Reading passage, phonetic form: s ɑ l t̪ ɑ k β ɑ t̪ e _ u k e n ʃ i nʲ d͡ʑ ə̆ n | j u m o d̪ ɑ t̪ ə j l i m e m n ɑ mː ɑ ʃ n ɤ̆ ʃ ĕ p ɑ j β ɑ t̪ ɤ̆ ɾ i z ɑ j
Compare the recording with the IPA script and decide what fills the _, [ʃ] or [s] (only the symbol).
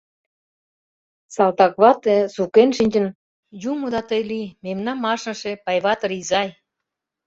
s